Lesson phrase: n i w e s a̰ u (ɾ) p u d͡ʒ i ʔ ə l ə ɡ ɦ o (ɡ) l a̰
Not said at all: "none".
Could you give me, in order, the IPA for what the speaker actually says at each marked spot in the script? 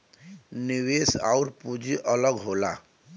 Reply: ɾ, none

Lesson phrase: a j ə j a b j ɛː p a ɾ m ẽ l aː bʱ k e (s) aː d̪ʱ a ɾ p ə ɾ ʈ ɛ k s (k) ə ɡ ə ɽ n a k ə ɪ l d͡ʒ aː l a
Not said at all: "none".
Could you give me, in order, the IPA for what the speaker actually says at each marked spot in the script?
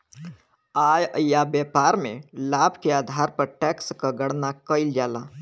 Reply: none, k

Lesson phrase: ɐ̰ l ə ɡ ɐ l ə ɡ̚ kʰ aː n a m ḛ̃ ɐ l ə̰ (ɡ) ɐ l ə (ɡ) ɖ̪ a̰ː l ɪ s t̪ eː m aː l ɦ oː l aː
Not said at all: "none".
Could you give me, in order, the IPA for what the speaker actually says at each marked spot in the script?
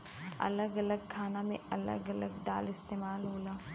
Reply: ɡ, ɡ

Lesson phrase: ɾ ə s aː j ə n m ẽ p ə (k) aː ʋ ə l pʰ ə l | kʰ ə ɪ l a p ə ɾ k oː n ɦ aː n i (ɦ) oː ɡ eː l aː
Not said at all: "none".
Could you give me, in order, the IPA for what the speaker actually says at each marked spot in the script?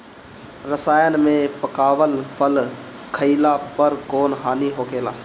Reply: k, ɦ

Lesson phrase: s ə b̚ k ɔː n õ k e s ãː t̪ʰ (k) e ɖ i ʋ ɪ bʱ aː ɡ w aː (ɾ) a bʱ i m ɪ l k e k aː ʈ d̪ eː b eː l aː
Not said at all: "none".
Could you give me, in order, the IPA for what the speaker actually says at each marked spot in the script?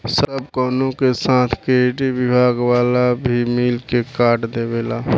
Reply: k, l

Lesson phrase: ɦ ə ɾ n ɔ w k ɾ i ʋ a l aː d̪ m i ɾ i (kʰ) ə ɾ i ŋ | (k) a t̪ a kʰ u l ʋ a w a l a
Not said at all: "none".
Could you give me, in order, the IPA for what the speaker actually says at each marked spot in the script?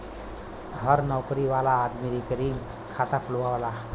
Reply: k, kʰ

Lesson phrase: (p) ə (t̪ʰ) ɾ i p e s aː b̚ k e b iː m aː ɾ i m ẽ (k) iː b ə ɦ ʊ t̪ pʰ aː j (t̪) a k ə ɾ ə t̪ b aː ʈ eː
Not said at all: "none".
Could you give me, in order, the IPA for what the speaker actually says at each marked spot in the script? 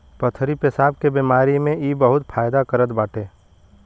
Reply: p, t̪ʰ, none, d̪

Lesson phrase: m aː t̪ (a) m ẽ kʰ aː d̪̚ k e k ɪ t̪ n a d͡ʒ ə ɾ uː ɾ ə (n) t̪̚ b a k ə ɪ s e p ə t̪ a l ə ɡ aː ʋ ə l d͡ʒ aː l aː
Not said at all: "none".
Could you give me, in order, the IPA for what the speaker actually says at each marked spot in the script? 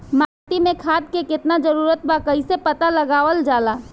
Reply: i, none

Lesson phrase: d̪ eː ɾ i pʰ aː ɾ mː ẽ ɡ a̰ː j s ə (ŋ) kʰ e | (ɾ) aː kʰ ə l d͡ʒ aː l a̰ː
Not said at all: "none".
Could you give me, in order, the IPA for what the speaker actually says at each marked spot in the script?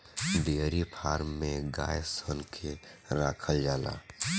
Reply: n, ɾ

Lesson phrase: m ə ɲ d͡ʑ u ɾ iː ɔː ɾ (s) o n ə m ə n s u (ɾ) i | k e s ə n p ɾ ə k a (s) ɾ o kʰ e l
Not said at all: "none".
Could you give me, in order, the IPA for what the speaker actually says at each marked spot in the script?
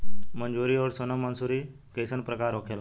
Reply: s, ɾ, none

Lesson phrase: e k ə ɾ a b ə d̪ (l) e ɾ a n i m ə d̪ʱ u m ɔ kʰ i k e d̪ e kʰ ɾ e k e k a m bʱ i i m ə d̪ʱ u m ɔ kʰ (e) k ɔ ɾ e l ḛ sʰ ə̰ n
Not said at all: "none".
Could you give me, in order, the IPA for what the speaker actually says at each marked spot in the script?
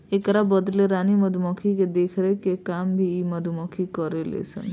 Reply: l, i

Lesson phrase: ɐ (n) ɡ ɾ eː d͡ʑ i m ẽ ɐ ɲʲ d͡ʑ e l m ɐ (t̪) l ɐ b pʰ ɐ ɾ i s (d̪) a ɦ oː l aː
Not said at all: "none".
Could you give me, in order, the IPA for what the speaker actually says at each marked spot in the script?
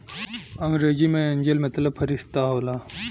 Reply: ŋ, t̪, t̪

